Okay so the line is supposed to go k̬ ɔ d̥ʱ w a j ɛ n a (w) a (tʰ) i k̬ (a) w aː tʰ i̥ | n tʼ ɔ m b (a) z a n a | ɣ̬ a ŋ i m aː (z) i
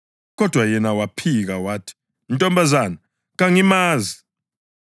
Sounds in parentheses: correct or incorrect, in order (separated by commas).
correct, incorrect, correct, correct, correct